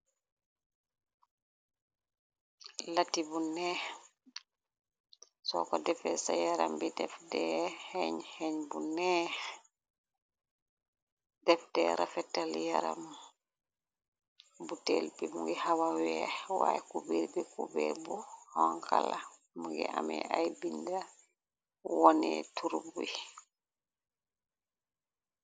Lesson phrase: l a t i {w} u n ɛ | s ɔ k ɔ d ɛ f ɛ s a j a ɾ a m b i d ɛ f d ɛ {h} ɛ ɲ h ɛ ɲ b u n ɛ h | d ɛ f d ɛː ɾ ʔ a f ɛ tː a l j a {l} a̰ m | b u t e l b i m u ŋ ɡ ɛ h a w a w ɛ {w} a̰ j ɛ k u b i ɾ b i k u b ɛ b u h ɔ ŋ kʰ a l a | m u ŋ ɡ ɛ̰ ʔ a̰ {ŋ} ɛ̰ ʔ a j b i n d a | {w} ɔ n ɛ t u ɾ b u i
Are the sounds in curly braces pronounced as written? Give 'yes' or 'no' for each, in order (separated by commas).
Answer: no, yes, no, yes, no, yes